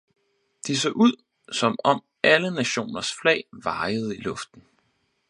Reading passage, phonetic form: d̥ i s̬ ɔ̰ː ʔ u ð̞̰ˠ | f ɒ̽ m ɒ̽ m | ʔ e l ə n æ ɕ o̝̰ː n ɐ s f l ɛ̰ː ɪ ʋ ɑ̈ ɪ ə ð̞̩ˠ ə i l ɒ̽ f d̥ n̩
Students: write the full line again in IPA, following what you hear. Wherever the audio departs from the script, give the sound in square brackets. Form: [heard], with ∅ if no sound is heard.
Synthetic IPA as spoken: d̥ i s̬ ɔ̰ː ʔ u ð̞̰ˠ | [s] ɒ̽ m ɒ̽ m | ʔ [æ] l ə n æ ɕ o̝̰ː n ɐ s f l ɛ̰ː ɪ ʋ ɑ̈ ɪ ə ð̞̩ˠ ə i l [ɔ̽] f d̥ n̩